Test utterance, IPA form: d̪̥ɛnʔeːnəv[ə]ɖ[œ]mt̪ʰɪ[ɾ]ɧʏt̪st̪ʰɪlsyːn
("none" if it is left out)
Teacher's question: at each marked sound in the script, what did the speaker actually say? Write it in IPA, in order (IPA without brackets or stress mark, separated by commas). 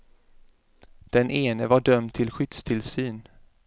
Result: a, œ, l